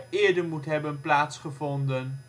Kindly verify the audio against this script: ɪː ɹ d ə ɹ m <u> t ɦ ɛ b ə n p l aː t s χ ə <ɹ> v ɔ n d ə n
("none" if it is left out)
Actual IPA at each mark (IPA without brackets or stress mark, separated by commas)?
u, none